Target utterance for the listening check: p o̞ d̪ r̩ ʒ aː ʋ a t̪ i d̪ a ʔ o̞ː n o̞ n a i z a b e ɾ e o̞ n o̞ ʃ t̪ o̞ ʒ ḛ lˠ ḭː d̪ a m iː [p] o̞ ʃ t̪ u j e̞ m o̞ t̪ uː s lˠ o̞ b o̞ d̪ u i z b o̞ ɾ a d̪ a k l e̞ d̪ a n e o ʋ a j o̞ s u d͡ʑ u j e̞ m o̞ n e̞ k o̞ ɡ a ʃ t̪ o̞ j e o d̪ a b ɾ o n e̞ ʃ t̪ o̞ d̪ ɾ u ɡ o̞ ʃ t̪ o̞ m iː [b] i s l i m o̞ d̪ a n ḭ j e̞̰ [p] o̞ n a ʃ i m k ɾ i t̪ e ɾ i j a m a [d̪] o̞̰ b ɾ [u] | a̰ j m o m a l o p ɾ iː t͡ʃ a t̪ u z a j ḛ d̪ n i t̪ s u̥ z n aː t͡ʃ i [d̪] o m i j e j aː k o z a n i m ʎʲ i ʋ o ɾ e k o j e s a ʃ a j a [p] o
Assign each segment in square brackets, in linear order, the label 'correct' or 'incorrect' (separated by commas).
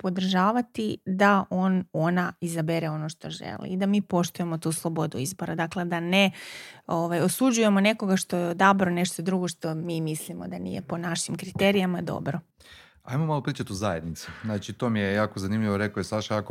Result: correct, incorrect, correct, correct, incorrect, incorrect, incorrect